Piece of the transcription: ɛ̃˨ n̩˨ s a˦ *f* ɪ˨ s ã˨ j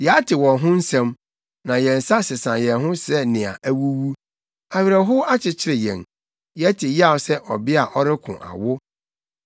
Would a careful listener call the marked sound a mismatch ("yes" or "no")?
yes